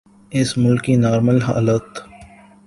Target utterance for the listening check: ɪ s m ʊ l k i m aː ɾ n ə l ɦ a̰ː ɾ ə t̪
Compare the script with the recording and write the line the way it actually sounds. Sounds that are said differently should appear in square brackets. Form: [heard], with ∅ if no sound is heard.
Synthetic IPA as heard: ɪ s m ʊ l k i [n] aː ɾ [m] ə l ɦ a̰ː [l] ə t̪